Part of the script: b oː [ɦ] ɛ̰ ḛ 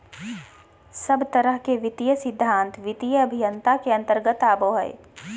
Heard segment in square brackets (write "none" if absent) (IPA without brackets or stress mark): ɦ